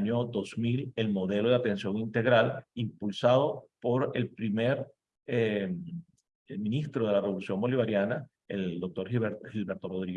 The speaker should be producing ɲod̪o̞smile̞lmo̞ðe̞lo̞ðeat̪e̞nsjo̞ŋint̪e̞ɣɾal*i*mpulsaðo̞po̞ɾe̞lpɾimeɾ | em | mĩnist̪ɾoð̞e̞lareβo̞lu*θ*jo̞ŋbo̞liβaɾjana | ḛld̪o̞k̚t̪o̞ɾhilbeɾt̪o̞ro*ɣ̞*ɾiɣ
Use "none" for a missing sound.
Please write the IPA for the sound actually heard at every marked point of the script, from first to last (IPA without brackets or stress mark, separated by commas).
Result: i, s, ð̞